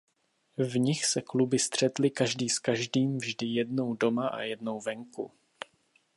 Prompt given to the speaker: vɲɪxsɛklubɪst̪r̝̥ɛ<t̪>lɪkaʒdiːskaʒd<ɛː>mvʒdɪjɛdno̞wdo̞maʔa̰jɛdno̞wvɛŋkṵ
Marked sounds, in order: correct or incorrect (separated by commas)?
correct, incorrect